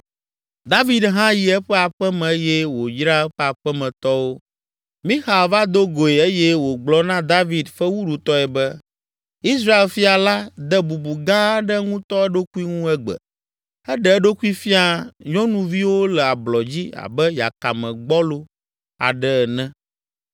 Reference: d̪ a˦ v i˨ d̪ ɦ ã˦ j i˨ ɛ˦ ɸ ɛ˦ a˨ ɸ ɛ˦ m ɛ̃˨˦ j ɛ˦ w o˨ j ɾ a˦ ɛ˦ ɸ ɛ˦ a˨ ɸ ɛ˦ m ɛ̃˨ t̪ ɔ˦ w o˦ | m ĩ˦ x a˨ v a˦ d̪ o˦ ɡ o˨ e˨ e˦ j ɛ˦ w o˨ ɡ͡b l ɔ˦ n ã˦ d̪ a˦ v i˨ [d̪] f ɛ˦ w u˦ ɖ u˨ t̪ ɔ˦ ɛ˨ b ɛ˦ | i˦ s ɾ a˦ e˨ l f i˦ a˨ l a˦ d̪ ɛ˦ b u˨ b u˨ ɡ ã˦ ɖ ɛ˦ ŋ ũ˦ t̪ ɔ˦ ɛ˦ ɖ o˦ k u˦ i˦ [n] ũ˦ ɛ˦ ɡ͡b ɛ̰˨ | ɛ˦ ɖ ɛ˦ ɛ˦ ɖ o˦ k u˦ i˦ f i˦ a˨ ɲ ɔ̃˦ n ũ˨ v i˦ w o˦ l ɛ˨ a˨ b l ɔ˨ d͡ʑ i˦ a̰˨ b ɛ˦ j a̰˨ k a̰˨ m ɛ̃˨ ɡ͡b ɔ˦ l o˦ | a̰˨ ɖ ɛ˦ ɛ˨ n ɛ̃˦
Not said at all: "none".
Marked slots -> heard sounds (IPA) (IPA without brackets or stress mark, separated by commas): d̪, ŋ